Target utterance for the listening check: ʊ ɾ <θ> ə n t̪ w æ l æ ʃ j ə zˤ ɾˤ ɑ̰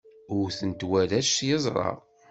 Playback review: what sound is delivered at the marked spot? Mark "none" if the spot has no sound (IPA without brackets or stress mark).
θ